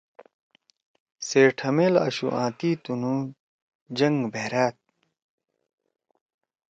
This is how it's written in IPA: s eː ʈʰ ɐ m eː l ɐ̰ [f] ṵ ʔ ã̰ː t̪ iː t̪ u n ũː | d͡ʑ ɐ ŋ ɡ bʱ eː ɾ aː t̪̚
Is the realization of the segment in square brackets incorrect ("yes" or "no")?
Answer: yes